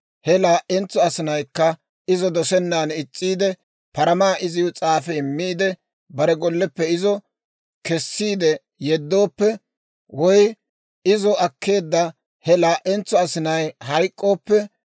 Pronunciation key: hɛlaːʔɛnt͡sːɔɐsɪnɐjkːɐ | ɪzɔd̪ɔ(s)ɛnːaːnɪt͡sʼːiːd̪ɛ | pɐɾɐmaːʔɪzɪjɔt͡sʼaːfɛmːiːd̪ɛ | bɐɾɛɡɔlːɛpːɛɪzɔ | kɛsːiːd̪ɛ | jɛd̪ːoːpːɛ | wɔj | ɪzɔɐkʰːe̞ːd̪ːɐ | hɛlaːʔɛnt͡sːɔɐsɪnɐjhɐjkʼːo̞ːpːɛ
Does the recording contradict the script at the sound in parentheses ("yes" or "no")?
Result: no